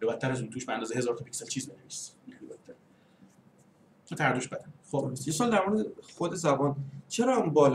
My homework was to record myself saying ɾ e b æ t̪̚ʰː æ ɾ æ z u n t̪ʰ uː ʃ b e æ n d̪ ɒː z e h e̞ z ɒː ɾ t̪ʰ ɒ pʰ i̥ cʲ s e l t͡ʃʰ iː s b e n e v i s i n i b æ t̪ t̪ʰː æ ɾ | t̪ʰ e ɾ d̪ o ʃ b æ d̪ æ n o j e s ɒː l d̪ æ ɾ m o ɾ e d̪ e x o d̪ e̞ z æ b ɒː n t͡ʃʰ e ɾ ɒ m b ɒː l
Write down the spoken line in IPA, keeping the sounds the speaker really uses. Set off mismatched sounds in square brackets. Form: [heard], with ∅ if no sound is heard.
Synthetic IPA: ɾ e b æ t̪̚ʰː æ ɾ æ z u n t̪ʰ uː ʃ b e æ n d̪ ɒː z e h e̞ z ɒː ɾ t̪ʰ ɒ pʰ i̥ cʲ s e l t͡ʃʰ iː [z] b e n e v i s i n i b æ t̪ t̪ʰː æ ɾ | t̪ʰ [æ] ɾ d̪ o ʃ b æ d̪ æ n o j e s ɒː l d̪ æ ɾ m o ɾ e d̪ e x o d̪ e̞ z æ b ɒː n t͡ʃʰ e ɾ ɒ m b ɒː l

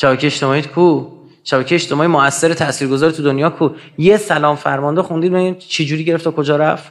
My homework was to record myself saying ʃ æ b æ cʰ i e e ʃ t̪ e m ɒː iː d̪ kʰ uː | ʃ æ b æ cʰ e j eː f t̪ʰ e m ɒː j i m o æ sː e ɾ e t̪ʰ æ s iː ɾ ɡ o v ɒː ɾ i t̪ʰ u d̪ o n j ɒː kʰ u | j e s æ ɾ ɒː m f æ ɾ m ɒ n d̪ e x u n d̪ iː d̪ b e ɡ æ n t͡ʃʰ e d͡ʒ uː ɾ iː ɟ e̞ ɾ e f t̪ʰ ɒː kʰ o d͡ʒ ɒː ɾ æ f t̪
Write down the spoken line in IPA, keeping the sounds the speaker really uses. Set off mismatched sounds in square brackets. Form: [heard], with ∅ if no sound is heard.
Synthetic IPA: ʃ æ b æ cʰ [e] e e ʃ t̪ e m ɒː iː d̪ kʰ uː | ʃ æ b æ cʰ e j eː [ʃ] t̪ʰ e m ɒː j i m o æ sː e ɾ e t̪ʰ æ s iː ɾ ɡ o [z] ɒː ɾ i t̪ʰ u d̪ o n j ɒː kʰ u | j e s æ [l] ɒː m f æ ɾ m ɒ n d̪ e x u n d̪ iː d̪ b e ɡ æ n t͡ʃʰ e d͡ʒ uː ɾ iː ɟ e̞ ɾ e f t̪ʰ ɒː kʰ o d͡ʒ ɒː ɾ æ f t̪

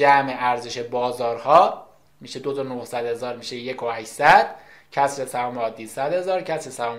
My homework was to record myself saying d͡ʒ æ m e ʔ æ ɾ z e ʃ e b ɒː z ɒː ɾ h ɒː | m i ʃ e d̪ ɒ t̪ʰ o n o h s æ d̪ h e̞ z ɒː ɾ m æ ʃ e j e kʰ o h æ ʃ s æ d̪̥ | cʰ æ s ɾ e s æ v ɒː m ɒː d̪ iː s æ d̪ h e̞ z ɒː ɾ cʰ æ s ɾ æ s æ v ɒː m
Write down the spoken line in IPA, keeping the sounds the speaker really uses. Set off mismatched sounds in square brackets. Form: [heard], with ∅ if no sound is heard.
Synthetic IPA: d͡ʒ æ m e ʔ æ ɾ z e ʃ e b ɒː z ɒː ɾ h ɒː | m i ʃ e d̪ [o] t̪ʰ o n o h s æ d̪ h e̞ z ɒː ɾ m [i] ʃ e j e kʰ o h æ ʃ s æ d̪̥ | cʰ æ s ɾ e s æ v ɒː m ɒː d̪ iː s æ d̪ h e̞ z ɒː ɾ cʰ æ s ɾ [e] s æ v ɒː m

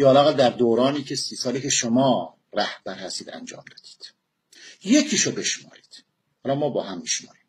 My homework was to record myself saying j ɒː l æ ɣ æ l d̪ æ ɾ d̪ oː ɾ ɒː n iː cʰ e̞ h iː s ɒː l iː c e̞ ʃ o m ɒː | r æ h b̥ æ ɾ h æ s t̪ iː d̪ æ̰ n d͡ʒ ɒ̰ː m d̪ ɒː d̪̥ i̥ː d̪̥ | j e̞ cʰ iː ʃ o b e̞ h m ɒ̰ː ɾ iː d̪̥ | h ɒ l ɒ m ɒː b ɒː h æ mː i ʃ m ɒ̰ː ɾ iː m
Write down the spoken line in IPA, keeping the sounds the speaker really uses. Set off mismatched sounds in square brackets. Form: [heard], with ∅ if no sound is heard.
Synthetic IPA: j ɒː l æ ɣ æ l d̪ æ ɾ d̪ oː ɾ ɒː n iː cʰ e̞ [s] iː s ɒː l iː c e̞ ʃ o m ɒː | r æ h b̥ æ ɾ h æ s t̪ iː d̪ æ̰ n d͡ʒ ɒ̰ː m d̪ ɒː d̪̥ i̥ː d̪̥ | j e̞ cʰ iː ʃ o b e̞ [ʃ] m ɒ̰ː ɾ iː d̪̥ | h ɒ l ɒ m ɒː b ɒː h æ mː i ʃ m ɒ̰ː ɾ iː m

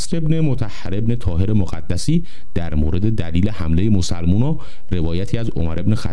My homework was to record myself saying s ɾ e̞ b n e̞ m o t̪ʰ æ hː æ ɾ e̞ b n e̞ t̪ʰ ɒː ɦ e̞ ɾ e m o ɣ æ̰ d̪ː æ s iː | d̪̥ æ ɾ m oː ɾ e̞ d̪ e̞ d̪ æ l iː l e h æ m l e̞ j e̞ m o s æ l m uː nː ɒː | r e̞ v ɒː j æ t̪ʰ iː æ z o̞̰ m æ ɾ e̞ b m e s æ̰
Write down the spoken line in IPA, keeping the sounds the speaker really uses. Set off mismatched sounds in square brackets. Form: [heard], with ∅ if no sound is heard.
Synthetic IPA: s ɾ e̞ b n e̞ m o t̪ʰ æ hː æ ɾ e̞ b n e̞ t̪ʰ ɒː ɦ e̞ ɾ e m o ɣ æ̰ d̪ː æ s iː | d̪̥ æ ɾ m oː ɾ e̞ d̪ e̞ d̪ æ l iː l e h æ m l e̞ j e̞ m o s æ l m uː [n] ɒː | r e̞ v ɒː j æ t̪ʰ iː æ z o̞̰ m æ ɾ e̞ b [n] e [x] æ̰

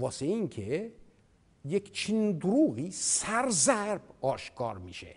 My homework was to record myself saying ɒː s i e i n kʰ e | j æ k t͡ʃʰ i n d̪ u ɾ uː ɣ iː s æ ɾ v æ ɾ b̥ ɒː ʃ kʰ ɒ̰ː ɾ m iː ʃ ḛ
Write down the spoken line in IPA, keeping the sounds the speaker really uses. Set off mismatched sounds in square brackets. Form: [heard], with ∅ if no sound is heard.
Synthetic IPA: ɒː s [e] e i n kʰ e | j [e] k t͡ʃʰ i n d̪ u ɾ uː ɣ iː s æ ɾ [z] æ ɾ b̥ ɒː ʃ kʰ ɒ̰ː ɾ m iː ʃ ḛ

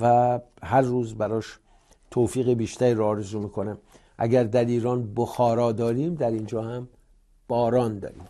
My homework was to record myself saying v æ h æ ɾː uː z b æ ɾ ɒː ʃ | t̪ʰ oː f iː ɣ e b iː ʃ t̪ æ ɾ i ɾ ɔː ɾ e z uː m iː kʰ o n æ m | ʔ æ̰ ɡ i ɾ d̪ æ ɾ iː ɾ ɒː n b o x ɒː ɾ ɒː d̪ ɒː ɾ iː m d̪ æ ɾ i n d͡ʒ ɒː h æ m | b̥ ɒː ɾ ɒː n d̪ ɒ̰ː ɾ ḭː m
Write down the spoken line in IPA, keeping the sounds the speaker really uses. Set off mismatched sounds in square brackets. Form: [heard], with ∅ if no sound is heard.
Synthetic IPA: v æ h æ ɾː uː z b æ ɾ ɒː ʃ | t̪ʰ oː f iː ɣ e b iː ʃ t̪ æ ɾ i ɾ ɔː ɾ e z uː m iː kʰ o n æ m | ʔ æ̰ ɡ [æ] ɾ d̪ æ ɾ iː ɾ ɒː n b o x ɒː ɾ ɒː d̪ ɒː ɾ iː m d̪ æ ɾ i n d͡ʒ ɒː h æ m | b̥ ɒː ɾ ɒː n d̪ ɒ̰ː ɾ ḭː m

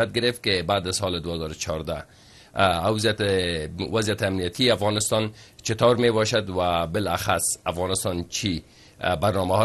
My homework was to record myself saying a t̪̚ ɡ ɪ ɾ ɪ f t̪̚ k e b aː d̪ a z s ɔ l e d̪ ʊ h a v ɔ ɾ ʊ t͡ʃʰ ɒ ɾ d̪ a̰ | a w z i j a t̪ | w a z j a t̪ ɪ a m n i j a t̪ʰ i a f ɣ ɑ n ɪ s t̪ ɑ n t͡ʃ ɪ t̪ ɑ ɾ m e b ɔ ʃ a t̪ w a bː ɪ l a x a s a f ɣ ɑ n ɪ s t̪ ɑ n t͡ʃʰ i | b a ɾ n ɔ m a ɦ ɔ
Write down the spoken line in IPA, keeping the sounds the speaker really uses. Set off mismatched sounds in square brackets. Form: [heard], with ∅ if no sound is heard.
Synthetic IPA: a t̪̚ ɡ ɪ ɾ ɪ f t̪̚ k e b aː d̪ a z s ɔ l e d̪ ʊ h a [z] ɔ ɾ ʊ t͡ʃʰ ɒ ɾ d̪ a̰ | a w z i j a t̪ | w a z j a t̪ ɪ a m n i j a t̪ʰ i a f ɣ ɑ n ɪ s t̪ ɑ n t͡ʃ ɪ t̪ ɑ ɾ m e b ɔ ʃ a [d̪] w a [b] ɪ l a x a s a f ɣ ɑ n ɪ s t̪ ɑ n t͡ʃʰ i | b a ɾ n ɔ m a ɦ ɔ

